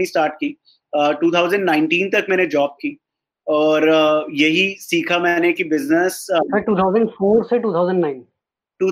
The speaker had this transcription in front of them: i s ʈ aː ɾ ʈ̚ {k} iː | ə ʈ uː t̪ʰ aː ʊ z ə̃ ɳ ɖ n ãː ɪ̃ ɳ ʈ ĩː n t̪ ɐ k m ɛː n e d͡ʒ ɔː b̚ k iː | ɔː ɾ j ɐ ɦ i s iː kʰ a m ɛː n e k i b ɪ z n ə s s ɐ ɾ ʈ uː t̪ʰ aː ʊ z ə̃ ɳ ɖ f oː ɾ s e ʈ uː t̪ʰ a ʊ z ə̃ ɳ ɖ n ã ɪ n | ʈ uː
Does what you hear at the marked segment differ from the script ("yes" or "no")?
no